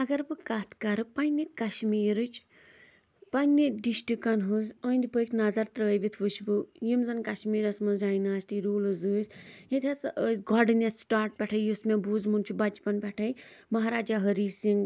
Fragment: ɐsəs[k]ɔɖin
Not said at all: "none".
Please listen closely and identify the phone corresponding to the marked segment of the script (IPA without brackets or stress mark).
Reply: ɡ